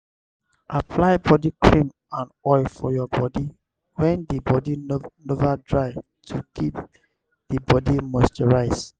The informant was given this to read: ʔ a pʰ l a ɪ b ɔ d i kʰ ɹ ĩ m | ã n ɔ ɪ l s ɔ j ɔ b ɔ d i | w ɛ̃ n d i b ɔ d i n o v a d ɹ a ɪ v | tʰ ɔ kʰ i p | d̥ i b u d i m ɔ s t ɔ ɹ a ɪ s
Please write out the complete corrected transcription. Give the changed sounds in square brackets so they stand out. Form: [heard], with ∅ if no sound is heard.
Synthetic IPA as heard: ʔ a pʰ l a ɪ b ɔ d i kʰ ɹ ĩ m | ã n ɔ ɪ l [f] ɔ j ɔ b ɔ d i | w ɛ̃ n d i b ɔ d i n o v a d ɹ a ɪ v | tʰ [u] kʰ i p | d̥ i b [ɔ] d i m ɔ s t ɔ ɹ a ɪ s